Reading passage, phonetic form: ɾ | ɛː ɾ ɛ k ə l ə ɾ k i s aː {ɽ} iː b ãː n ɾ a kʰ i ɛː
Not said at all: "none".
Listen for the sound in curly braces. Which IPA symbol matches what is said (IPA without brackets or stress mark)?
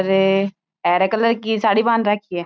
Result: ɽ